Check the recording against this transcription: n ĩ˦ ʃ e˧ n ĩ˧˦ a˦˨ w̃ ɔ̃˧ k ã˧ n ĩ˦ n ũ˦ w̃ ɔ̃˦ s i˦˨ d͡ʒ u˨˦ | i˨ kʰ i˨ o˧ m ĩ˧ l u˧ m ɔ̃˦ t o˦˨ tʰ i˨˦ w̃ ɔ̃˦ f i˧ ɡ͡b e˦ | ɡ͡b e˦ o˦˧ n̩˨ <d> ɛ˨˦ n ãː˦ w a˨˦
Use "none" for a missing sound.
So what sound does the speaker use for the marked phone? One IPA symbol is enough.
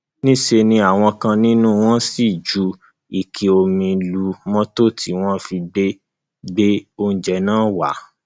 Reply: d͡ʒ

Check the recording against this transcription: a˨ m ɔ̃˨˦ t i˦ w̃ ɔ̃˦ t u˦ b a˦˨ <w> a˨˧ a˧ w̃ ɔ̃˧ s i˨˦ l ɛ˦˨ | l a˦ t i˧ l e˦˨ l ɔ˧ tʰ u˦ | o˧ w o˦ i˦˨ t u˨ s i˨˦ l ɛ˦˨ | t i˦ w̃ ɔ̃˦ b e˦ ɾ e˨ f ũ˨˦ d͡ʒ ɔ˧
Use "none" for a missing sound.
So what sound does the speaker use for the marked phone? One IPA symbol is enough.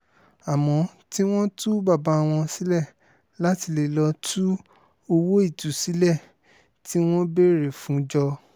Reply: b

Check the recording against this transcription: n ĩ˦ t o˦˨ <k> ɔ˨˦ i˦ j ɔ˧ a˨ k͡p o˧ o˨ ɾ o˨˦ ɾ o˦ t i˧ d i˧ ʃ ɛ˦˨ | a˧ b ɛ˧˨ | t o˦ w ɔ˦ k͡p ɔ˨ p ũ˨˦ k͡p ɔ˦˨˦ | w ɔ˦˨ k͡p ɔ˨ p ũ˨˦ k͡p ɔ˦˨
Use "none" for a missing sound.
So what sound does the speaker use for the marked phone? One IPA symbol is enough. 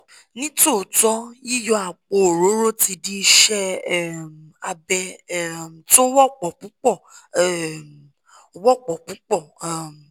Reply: t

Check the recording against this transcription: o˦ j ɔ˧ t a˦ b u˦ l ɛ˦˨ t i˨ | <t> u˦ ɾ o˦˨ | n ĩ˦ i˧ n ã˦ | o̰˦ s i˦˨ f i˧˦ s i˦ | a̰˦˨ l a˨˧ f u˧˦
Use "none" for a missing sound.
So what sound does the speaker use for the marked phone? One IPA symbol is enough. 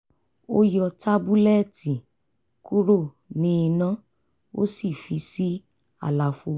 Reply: k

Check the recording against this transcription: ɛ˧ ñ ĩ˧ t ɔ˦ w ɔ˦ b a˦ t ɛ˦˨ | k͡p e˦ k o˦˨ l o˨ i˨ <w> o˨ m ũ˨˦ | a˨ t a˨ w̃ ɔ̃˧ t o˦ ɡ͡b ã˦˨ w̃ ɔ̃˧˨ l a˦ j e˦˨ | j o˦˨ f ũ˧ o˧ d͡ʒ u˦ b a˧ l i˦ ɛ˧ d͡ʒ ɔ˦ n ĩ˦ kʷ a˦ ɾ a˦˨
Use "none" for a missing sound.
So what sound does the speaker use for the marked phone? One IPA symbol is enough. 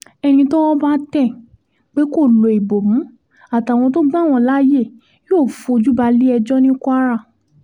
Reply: b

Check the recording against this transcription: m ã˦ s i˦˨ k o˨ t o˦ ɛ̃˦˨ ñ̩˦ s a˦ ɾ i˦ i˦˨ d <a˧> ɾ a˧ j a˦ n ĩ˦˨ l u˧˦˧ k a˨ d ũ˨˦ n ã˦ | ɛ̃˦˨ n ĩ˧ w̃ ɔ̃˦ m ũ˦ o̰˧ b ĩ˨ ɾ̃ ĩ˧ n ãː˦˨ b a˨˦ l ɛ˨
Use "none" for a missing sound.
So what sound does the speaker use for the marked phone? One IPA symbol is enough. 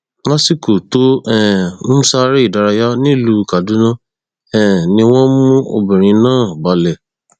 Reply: a˧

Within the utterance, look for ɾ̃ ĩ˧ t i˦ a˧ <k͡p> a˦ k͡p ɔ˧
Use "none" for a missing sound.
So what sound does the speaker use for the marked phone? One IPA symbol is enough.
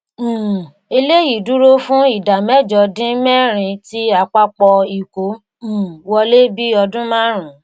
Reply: k͡p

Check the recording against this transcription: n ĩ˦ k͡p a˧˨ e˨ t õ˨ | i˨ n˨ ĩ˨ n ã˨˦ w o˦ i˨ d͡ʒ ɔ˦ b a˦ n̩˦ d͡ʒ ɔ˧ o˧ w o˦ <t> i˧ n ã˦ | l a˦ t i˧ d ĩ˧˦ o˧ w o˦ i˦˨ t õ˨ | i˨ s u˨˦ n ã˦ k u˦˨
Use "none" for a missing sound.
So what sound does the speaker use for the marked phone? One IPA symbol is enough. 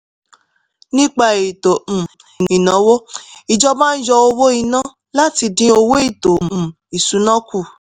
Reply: none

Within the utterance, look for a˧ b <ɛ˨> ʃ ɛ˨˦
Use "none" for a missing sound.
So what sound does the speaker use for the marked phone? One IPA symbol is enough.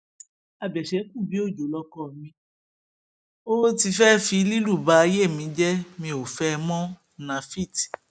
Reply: ɛ˨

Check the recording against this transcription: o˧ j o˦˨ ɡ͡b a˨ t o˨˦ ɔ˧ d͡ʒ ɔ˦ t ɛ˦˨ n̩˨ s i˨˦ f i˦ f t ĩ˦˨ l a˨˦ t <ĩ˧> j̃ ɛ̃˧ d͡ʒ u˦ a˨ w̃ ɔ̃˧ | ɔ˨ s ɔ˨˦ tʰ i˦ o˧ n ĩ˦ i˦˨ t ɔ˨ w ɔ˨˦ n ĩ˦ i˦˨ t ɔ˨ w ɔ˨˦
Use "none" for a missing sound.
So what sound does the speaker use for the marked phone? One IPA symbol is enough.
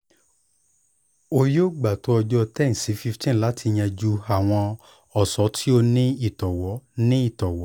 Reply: i˧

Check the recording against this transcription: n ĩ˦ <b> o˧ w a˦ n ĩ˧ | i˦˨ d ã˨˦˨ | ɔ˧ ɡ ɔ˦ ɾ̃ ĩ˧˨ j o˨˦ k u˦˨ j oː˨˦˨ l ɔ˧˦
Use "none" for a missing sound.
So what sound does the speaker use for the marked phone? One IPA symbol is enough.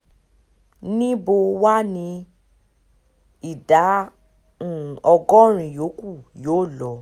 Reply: b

